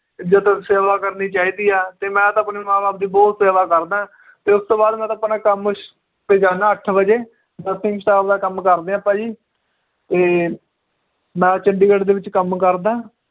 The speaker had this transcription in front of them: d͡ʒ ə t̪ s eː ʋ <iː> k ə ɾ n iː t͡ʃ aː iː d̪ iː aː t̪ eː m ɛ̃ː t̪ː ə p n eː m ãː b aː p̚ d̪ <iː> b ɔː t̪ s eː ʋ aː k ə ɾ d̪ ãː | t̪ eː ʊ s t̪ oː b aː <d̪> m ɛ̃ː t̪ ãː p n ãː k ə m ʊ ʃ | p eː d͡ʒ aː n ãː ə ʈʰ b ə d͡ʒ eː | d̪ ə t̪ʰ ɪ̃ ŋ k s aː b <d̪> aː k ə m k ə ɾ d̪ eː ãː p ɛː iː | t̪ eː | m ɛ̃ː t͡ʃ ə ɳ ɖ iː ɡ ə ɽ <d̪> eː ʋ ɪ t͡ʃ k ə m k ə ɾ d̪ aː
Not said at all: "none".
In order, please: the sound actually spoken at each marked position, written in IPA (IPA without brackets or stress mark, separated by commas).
aː, iː, d̪, d̪, d̪